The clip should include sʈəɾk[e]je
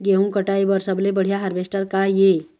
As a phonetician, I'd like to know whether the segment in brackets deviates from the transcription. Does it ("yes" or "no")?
yes